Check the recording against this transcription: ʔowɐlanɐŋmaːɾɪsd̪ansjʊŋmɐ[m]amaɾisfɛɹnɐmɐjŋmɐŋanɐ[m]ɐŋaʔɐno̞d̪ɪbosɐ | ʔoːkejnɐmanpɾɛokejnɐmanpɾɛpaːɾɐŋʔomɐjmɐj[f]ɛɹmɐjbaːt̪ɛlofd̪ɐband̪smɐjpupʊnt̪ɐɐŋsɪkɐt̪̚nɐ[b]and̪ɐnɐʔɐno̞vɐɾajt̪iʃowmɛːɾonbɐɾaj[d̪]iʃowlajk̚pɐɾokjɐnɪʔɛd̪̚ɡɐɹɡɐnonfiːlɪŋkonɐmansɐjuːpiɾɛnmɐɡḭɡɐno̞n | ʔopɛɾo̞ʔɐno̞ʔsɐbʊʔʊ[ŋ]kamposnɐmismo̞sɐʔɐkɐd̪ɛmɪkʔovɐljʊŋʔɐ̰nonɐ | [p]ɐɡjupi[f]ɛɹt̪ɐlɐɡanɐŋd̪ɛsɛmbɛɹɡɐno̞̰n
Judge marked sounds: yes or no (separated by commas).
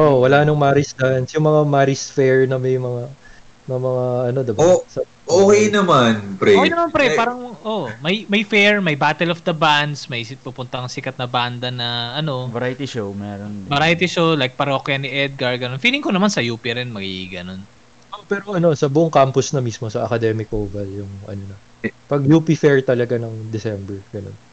no, yes, yes, yes, no, yes, yes, yes